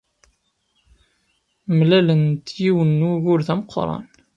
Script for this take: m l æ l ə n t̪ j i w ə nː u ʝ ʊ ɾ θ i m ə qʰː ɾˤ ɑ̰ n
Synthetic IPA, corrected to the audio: m l æ l ə n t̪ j i w ə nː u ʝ ʊ ɾ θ æ m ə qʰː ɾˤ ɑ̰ n